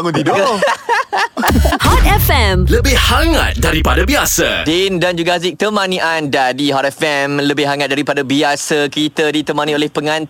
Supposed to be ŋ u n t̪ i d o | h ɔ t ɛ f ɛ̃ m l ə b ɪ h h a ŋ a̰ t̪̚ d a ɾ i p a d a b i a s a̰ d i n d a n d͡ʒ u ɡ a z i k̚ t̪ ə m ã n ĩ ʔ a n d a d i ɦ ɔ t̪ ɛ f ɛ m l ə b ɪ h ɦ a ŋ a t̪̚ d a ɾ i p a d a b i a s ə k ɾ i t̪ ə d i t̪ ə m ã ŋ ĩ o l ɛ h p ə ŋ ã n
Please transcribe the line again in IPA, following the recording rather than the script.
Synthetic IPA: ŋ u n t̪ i d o | h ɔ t ɛ f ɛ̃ m l ə b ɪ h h a ŋ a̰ t̪̚ d a ɾ i p a d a b i a s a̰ d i n d a n d͡ʒ u ɡ a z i k̚ t̪ ə m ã n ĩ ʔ a n d a d i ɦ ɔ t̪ ɛ f ɛ m l ə b ɪ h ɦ a ŋ a t̪̚ d a ɾ i p a d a b i a s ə k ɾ i t̪ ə d i t̪ ə m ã n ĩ o l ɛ h p ə ŋ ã n